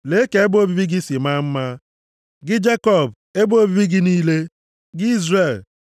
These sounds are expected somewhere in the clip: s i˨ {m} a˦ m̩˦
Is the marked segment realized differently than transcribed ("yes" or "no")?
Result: no